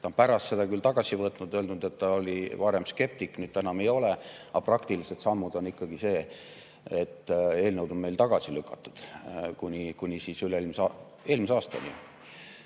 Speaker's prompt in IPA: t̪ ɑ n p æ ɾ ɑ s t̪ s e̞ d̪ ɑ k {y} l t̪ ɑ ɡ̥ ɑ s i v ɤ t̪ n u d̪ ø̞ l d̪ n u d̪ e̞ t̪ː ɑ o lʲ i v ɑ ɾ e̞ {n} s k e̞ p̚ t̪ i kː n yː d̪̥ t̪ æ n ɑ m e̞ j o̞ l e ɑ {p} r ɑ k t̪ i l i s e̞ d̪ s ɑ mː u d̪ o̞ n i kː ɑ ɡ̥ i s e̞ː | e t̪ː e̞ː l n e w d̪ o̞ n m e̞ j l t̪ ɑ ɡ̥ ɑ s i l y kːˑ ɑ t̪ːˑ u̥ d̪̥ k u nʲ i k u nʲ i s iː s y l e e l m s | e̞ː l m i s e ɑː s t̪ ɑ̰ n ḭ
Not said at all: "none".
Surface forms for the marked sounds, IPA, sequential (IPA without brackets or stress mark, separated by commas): y, m, p